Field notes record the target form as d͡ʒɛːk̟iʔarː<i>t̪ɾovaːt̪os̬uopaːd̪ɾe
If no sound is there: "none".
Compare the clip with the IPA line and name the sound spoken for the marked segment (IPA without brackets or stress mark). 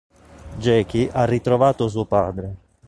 i